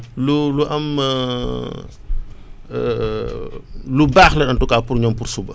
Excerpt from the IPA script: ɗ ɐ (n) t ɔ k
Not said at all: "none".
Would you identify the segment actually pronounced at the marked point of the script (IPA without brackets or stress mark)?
n